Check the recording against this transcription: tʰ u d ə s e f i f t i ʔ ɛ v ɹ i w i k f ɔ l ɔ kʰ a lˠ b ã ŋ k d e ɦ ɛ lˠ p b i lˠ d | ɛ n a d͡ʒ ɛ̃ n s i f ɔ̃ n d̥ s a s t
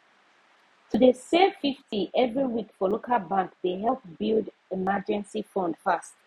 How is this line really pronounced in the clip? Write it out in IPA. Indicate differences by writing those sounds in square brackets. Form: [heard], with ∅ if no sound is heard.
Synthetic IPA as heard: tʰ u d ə s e f i f t i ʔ ɛ v ɹ i w i k f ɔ l [o] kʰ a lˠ b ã ŋ k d e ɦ ɛ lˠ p b i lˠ d | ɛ [m] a d͡ʒ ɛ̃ n s i f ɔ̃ n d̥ [f] a s t